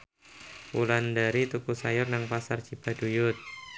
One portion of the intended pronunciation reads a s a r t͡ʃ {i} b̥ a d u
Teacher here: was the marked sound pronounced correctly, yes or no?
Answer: yes